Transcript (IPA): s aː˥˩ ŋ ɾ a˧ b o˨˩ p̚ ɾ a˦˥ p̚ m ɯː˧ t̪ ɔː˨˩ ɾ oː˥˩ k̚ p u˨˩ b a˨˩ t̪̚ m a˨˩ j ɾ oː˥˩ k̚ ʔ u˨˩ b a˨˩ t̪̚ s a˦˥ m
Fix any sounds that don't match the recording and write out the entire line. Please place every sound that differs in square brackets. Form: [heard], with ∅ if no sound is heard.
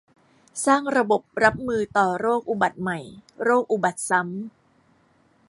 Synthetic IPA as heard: s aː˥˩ ŋ ɾ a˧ b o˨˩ p̚ ɾ a˦˥ p̚ m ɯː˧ t̪ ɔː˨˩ ɾ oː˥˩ k̚ [ʔ] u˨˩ b a˨˩ t̪̚ m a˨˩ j ɾ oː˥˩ k̚ ʔ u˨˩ b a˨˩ t̪̚ s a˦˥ m